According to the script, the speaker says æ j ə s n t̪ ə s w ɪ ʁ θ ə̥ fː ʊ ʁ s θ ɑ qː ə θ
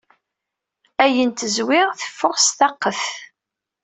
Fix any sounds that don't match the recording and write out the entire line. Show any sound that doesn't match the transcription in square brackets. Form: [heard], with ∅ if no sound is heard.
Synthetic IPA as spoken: æ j ə [∅] n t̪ ə [z] w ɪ ʁ θ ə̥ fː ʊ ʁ s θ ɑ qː ə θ